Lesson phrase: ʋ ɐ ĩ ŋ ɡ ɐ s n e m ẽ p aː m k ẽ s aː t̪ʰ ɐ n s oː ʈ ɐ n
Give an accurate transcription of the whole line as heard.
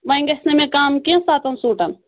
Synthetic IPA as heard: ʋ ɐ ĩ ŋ ɡ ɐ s n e m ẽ k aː m k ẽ s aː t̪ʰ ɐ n s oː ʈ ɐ n